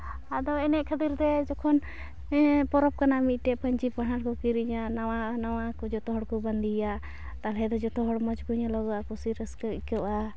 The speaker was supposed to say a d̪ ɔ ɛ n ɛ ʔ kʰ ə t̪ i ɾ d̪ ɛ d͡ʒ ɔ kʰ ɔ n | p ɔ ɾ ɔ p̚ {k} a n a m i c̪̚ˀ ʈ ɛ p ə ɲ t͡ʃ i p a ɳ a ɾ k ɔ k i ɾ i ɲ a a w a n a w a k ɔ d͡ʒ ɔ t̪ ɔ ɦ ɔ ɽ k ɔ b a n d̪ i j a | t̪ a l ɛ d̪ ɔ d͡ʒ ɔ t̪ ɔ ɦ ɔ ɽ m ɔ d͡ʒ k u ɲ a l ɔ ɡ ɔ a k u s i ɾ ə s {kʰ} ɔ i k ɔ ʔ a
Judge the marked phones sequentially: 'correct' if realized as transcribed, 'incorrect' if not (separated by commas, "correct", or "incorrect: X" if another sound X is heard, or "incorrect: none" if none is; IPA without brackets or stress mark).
correct, incorrect: k